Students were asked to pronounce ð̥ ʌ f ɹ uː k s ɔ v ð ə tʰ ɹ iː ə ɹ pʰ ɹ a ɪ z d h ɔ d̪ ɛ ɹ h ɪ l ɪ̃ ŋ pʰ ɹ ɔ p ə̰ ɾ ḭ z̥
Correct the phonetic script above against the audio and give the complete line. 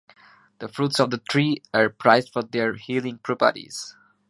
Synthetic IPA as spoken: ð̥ ə f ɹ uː t s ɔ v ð ə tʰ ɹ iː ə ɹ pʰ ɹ a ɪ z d f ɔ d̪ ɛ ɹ h i l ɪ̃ ŋ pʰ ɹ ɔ p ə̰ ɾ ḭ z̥

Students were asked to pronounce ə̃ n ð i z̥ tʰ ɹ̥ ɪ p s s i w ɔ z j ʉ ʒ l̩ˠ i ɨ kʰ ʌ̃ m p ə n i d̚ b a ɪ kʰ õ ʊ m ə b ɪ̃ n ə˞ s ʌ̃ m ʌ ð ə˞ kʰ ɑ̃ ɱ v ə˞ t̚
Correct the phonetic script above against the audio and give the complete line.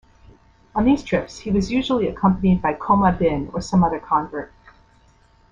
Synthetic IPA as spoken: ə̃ n ð i z̥ tʰ ɹ̥ ɪ p s h i w ʌ z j ʉ ʒ l̩ˠ i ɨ kʰ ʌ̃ m p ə n i d̚ b a ɪ kʰ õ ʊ m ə b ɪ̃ n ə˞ s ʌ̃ m ʌ ð ə˞ kʰ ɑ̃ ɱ v ə˞ t̚

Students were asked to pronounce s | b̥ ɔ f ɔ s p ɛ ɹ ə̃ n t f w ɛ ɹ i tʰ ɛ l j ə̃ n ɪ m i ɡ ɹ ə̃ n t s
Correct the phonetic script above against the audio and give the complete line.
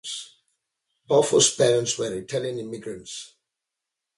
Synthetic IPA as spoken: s | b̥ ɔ f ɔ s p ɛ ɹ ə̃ n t s w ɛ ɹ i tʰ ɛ l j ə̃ n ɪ m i ɡ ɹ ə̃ n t s

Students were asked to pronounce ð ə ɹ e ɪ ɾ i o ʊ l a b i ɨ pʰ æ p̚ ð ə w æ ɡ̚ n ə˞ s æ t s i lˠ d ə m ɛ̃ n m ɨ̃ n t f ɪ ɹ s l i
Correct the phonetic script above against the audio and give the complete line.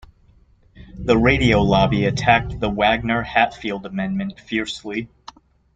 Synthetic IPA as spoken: ð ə ɹ e ɪ ɾ i o ʊ l ɑ b i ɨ tʰ æ k̚ ð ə w æ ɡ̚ n ə˞ h æ t f i lˠ d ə m ɛ̃ n m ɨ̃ n t f ɪ ɹ s l i

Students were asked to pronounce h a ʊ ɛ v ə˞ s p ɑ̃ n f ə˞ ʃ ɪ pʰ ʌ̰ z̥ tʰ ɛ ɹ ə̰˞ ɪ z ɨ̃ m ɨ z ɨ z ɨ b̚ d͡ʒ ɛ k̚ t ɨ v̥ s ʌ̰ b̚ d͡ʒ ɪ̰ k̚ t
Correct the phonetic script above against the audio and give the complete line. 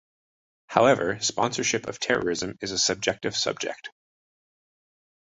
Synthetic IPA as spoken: h a ʊ ɛ v ə˞ s p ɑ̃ n s ə˞ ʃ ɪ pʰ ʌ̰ v̥ tʰ ɛ ɹ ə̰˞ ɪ z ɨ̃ m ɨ z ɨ s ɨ b̚ d͡ʒ ɛ k̚ t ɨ v̥ s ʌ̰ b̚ d͡ʒ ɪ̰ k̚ t

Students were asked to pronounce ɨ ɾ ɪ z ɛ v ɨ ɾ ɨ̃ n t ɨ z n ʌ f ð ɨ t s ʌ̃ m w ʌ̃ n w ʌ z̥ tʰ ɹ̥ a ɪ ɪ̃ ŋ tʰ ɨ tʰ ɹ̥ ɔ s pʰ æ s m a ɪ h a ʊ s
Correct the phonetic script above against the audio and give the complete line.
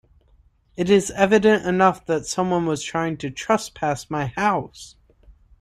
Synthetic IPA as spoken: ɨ ɾ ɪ z ɛ v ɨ ɾ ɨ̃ n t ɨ n ʌ f ð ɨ t s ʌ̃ m w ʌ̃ n w ʌ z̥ tʰ ɹ̥ a ɪ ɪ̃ ŋ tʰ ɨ tʰ ɹ̥ ʌ s pʰ æ s m a ɪ h a ʊ s

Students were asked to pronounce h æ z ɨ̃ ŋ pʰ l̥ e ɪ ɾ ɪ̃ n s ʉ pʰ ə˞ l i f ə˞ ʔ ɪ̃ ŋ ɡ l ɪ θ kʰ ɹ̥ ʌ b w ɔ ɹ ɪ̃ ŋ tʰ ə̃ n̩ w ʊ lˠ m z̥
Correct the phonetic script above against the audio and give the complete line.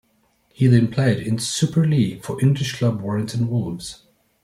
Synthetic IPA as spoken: h i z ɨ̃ n pʰ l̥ e ɪ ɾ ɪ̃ n s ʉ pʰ ə˞ l i f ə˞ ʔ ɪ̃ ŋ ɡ l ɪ ʃ kʰ l̥ ʌ b w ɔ ɹ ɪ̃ ŋ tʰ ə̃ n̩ w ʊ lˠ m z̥

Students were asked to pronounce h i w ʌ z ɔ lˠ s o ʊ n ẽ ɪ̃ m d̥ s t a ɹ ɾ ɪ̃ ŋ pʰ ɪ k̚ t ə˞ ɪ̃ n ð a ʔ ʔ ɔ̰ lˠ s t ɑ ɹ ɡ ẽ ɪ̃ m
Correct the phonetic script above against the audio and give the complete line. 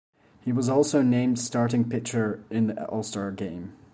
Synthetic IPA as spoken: h i w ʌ z ɔ lˠ s o ʊ n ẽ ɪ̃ m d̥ s t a ɹ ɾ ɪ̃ ŋ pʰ ɪ k̚ t͡ʃ ə˞ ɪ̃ n ð i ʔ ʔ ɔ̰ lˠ s t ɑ ɹ ɡ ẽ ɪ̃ m

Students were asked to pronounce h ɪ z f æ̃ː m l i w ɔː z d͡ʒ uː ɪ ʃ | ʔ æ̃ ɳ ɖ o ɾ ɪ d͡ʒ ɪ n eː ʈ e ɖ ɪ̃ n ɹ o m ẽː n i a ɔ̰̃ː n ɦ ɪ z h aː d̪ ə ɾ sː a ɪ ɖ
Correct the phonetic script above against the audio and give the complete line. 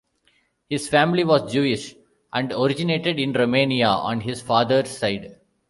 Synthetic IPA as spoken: h ɪ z f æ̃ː m l i ʋ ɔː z d͡ʒ uː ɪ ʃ | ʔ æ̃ ɳ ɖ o ɾ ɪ d͡ʒ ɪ n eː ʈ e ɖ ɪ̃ n ɾ o m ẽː n i a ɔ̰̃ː n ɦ ɪ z f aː d̪ ə ɾ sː a ɪ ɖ

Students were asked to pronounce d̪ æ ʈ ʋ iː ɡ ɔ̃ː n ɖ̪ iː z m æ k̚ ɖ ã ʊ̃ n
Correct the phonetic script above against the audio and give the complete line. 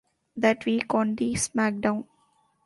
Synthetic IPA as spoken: d̪ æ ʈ ʋ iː k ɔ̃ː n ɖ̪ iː s m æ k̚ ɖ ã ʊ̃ n

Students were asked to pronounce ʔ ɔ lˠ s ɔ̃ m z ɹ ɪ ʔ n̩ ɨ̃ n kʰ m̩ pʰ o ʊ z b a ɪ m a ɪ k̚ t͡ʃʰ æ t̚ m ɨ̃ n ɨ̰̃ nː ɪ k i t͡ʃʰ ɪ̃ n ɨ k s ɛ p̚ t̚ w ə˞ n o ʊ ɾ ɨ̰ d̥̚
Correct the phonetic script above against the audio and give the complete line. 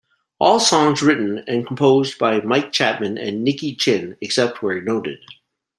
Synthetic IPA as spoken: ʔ ɔ lˠ s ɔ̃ ŋ z ɹ ɪ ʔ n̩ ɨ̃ n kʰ m̩ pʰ o ʊ z b a ɪ m a ɪ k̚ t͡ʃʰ æ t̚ m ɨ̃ n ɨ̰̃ nː ɪ k i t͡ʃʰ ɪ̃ n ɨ k s ɛ p̚ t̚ w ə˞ n o ʊ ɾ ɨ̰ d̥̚

